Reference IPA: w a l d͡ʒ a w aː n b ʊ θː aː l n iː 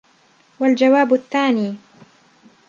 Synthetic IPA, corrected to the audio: w a l d͡ʒ a w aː b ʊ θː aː n iː